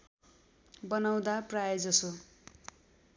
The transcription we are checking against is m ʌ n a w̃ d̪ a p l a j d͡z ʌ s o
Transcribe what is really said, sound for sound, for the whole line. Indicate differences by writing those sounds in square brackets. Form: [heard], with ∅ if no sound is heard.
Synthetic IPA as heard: [b] ʌ n a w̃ d̪ a p [r] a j d͡z ʌ s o

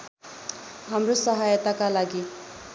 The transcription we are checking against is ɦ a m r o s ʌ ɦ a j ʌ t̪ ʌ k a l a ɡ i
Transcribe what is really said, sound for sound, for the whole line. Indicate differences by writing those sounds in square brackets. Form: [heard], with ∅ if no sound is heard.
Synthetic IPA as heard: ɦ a m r o s ʌ ɦ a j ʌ t̪ [a] k a l a ɡ i

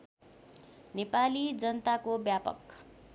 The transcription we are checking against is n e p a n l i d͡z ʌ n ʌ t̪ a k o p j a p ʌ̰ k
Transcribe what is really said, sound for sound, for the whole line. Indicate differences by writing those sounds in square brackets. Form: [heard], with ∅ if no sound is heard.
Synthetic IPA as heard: n e p a [∅] l i d͡z ʌ n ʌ t̪ a k o [b] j a p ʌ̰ k

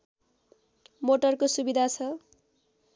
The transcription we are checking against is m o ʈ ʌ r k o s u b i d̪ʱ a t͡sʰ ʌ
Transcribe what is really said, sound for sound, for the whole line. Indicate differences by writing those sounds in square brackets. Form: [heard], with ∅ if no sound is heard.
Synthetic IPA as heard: m o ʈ ʌ r k o s u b i d̪ʱ a t͡sʰ ʌ

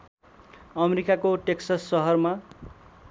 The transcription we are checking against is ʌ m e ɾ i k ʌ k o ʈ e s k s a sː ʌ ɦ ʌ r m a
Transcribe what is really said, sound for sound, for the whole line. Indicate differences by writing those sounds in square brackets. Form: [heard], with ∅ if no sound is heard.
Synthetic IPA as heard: ʌ m e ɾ i k [a] k o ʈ e [∅] k s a sː ʌ ɦ ʌ r m a

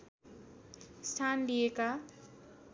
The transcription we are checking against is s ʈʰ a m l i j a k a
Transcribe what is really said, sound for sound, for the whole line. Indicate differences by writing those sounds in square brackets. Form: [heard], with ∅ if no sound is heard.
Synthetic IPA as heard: s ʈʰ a [n] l i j [e] k a

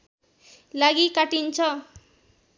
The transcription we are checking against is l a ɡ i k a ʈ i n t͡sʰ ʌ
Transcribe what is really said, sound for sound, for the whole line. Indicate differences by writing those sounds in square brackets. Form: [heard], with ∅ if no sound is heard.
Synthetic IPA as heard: l a ɡ i k a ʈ i n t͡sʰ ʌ

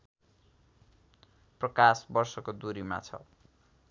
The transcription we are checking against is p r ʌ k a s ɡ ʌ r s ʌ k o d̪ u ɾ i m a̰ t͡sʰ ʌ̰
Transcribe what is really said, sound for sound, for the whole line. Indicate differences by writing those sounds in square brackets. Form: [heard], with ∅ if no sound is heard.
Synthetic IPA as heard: p r ʌ k a s [b] ʌ r s ʌ k o d̪ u ɾ i m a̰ t͡sʰ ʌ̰

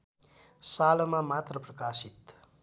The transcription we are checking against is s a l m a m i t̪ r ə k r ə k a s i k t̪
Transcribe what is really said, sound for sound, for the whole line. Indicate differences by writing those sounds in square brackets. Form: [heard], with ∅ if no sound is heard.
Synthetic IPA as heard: s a l m a m [a] t̪ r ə [p] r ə k a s i [∅] t̪

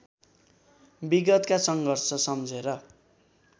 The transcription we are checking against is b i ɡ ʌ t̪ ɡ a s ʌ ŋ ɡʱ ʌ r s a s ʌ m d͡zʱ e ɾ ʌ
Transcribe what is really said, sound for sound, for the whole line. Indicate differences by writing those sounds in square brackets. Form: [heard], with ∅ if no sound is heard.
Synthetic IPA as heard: b i ɡ ʌ t̪ [k] a s ʌ ŋ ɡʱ ʌ r s [ʌ] s ʌ m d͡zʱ e ɾ ʌ

